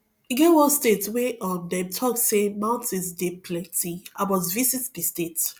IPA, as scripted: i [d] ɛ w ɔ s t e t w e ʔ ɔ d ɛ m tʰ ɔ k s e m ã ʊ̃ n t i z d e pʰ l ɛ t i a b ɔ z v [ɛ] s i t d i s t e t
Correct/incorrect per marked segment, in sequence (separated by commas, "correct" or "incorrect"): incorrect, incorrect